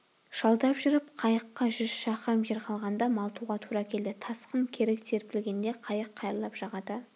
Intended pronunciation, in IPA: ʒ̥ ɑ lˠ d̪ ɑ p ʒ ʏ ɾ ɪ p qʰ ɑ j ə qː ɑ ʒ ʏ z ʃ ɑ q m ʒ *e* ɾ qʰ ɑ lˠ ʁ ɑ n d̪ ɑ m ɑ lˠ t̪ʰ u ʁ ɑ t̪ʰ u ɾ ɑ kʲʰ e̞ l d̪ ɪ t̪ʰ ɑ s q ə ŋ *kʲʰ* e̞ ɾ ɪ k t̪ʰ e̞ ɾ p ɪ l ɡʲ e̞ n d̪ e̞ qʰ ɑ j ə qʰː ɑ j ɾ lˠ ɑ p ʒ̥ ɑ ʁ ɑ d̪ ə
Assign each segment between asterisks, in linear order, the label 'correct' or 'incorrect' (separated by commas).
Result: correct, correct